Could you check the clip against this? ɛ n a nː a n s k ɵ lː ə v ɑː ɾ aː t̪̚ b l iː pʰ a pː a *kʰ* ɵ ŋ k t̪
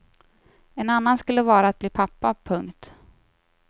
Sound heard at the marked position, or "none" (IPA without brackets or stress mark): pʰ